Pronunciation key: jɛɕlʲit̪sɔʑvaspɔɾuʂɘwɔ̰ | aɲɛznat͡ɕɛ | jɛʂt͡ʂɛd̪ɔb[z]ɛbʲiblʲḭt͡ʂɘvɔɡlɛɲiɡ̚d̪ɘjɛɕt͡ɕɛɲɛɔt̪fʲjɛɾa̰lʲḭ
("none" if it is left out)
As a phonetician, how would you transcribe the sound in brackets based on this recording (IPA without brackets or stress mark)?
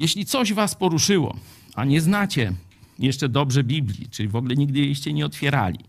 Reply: ʐ